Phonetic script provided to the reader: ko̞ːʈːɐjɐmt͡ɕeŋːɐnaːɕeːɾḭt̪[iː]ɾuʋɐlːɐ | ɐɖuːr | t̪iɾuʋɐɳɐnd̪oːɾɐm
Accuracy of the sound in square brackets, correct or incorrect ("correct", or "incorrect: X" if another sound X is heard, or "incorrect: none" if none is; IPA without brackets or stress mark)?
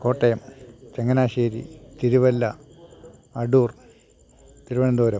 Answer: incorrect: i